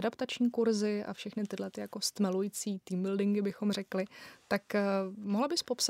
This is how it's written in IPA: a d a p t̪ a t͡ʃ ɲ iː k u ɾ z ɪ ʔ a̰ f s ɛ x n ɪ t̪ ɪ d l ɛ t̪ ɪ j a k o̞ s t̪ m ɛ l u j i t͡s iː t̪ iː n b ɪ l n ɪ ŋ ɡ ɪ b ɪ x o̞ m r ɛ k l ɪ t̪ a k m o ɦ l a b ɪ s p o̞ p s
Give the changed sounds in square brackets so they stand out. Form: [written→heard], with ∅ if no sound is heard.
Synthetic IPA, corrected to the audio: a d a p t̪ a t͡ʃ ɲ iː k u ɾ z ɪ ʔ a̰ f [s→ʃ] ɛ x n ɪ t̪ ɪ d l ɛ t̪ ɪ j a k o̞ s t̪ m ɛ l u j i t͡s iː t̪ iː [n→m] b ɪ l [n→d] ɪ ŋ ɡ ɪ b ɪ x o̞ m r ɛ k l ɪ t̪ a k m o ɦ l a b ɪ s p o̞ p s